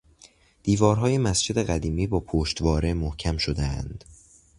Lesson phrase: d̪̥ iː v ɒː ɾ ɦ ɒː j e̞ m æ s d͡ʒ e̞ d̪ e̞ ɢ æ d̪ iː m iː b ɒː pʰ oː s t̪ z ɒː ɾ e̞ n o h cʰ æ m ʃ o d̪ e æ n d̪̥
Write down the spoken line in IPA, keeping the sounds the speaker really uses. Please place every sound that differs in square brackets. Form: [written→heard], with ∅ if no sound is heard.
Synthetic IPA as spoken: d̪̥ iː v ɒː ɾ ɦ ɒː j e̞ m æ s d͡ʒ e̞ d̪ e̞ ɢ æ d̪ iː m iː b ɒː pʰ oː [s→ʃ] t̪ [z→v] ɒː ɾ e̞ [n→m] o h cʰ æ m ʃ o d̪ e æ n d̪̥